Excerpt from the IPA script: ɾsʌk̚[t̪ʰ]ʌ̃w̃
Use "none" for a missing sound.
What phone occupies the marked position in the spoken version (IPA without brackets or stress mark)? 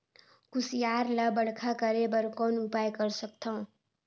t̪ʰ